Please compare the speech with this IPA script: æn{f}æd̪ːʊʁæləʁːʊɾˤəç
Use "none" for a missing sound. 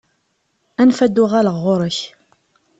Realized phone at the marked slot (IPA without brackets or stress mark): f